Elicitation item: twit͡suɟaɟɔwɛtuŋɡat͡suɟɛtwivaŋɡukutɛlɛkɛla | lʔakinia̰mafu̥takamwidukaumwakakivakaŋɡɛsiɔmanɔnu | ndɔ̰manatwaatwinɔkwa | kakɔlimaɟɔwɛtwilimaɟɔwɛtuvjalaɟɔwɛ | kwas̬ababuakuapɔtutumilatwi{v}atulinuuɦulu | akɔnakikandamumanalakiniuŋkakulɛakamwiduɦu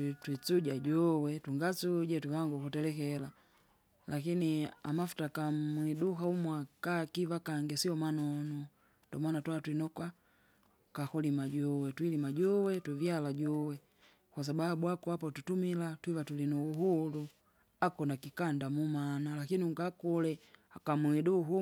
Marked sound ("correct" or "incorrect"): correct